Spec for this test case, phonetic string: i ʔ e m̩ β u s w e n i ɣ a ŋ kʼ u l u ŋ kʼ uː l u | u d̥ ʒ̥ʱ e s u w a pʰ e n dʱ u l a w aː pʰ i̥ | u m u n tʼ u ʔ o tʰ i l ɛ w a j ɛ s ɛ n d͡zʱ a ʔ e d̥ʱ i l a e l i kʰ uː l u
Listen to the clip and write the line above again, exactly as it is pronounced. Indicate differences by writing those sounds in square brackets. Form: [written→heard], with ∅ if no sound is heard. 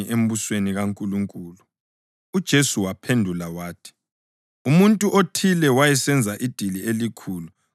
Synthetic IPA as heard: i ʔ e m̩ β u s w e n i ɣ a ŋ kʼ u l u ŋ kʼ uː l u | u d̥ ʒ̥ʱ e s u w a pʰ e n dʱ u l a w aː [pʰ→tʰ] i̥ | u m u n tʼ u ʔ o tʰ i l ɛ w a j ɛ s ɛ n d͡zʱ a ʔ [e→i] d̥ʱ i l [a→i] e l i kʰ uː l u